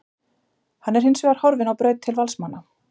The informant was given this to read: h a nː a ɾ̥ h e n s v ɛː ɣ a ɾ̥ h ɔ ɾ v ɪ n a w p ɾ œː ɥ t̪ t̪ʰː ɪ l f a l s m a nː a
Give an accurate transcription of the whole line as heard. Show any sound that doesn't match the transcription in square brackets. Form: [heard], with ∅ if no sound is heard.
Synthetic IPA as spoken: h a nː [ɛ] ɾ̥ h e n s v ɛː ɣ a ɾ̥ h ɔ ɾ v ɪ n a w p ɾ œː ɥ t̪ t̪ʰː ɪ l [v] a l s m a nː a